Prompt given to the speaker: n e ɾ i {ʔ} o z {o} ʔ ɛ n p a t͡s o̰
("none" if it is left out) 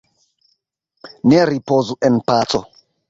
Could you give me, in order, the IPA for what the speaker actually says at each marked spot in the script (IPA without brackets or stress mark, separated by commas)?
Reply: p, u